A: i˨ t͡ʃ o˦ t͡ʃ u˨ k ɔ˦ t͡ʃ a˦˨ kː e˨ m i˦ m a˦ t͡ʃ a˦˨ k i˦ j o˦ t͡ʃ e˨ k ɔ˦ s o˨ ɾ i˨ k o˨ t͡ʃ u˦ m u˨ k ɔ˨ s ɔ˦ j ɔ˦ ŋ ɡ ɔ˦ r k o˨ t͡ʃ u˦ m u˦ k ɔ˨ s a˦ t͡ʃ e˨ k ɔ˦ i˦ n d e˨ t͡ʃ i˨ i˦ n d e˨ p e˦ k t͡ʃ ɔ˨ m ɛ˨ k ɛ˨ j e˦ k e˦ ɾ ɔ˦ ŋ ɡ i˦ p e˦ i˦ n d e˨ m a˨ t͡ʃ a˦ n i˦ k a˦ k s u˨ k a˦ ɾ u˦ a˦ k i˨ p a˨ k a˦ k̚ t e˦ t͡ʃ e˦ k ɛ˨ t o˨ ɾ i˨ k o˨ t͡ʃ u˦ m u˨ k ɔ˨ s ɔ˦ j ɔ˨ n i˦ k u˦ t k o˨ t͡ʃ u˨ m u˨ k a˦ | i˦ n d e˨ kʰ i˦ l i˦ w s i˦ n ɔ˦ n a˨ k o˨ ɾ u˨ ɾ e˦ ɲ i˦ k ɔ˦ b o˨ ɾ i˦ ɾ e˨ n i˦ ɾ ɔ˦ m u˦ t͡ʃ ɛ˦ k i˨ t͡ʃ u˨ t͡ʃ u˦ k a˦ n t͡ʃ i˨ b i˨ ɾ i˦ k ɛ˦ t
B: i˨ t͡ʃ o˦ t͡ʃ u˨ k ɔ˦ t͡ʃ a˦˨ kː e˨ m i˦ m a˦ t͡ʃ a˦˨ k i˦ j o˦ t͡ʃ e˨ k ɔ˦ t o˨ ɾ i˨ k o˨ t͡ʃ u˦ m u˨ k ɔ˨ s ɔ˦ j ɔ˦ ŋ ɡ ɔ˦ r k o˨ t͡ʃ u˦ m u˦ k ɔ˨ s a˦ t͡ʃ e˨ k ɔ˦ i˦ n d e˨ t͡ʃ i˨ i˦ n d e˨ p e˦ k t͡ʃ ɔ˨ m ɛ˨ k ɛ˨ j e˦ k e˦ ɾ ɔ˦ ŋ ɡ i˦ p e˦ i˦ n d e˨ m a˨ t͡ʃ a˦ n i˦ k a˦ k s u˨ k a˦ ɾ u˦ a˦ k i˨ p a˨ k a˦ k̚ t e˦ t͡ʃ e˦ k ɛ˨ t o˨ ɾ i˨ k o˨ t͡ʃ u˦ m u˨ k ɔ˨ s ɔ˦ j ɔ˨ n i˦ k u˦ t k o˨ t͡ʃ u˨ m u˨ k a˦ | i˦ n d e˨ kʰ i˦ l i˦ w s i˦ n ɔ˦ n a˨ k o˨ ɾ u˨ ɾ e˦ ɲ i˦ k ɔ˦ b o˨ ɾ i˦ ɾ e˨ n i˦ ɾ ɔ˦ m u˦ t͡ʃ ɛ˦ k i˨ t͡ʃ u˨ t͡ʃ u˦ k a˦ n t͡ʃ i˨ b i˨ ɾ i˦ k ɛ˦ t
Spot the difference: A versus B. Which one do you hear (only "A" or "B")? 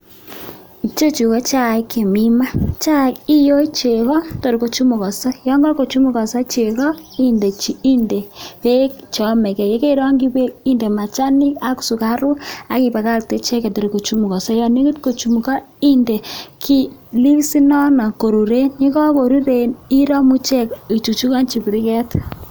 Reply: B